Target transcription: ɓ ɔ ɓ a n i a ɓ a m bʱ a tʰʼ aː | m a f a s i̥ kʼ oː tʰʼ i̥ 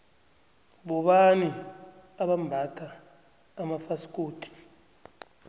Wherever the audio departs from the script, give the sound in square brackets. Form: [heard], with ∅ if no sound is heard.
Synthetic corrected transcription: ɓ ɔ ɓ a n i a ɓ a m bʱ a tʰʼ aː | m a f a s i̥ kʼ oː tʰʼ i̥